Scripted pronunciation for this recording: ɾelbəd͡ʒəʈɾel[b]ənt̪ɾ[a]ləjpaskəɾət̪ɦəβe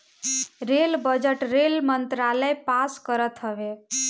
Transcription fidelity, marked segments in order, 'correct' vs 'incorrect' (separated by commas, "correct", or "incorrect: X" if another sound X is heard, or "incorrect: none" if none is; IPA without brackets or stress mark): incorrect: m, correct